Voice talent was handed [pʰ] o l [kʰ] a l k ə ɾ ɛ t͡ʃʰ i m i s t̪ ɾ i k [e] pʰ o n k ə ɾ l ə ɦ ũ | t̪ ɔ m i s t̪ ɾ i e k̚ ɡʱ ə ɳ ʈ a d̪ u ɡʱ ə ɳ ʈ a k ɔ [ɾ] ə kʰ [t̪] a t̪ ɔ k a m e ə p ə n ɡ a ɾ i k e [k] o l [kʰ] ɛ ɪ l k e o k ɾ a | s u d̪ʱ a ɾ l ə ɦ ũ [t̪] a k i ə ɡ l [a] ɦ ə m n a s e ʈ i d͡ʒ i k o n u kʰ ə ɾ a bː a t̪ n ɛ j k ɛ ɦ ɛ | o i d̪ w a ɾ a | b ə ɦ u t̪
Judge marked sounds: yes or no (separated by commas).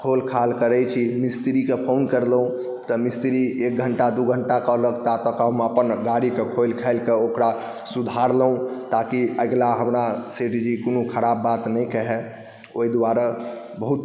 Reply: no, yes, yes, no, yes, no, yes, yes, yes